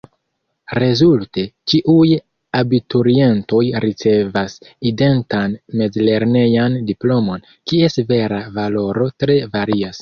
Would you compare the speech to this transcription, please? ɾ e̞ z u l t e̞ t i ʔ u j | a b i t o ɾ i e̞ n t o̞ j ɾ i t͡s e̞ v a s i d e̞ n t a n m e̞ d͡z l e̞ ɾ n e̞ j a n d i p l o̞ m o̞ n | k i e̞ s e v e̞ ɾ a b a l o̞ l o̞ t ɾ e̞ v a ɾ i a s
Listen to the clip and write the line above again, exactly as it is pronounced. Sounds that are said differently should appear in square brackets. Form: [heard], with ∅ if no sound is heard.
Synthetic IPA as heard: ɾ e̞ z u l t e̞ [t͡ʃ] i ʔ u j | a b i t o ɾ i e̞ n t o̞ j ɾ i t͡s e̞ v a s i d e̞ n t a n m e̞ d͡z l e̞ ɾ n e̞ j a n d i p l o̞ m o̞ n | k i e̞ s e v e̞ ɾ a [v] a l o̞ [ɾ] o̞ t ɾ e̞ v a ɾ i a s